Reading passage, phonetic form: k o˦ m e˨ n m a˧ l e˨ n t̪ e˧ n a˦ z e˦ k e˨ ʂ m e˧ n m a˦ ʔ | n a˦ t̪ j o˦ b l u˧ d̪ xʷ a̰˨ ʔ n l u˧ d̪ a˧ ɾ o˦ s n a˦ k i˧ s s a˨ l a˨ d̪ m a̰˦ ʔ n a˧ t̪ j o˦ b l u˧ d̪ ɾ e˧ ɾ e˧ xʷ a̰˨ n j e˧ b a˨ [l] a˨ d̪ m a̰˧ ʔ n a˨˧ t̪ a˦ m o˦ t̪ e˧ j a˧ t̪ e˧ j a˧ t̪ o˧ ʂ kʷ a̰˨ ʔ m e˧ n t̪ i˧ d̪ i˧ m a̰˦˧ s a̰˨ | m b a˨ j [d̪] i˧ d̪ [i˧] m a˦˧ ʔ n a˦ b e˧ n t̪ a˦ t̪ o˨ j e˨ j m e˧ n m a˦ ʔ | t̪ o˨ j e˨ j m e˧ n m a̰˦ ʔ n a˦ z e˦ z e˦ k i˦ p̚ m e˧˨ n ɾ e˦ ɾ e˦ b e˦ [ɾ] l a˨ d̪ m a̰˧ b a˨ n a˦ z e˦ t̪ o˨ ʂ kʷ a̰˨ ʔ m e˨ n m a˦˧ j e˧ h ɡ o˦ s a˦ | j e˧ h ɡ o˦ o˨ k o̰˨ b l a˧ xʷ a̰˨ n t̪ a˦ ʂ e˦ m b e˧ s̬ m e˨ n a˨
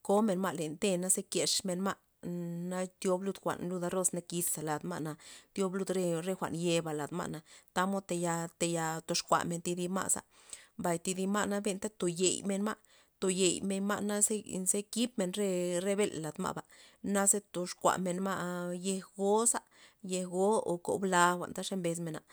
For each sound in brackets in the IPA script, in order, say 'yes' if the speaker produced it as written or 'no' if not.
yes, no, yes, no

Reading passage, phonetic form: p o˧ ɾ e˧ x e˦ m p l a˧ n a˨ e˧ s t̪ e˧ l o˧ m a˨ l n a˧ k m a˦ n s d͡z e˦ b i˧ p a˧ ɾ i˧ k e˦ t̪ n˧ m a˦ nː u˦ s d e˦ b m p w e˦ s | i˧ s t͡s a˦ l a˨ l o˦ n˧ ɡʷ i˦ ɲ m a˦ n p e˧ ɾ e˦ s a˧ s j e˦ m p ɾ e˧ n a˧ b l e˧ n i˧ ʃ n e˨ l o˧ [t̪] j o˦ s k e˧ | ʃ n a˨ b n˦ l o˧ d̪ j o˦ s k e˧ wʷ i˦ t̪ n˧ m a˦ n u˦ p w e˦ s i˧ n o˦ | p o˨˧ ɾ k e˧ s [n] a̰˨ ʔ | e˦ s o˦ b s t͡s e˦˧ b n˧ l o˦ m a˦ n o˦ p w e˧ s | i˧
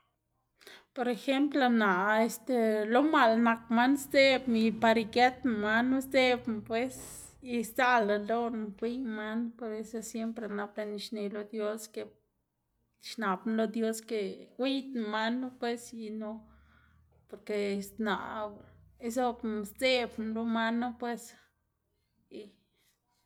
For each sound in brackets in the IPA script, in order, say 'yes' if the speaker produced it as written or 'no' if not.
no, yes

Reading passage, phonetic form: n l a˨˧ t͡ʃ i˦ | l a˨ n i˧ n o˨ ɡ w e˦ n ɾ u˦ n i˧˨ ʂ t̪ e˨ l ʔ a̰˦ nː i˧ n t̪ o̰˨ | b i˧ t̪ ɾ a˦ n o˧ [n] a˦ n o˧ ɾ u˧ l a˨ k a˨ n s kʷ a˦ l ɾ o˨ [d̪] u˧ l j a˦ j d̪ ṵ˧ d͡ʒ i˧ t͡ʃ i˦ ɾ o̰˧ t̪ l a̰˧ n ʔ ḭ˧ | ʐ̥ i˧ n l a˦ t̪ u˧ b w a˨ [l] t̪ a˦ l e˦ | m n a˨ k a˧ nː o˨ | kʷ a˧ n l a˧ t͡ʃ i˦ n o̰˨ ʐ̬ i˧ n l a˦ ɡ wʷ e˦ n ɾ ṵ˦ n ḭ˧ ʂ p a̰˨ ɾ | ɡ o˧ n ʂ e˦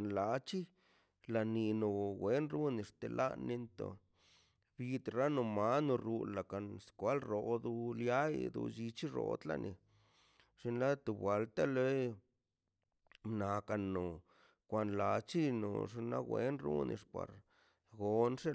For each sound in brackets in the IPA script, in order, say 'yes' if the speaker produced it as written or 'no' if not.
no, yes, yes

